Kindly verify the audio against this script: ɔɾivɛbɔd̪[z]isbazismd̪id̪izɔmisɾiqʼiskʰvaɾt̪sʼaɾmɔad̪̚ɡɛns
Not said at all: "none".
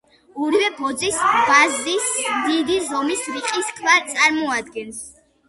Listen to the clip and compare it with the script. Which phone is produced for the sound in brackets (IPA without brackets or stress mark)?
z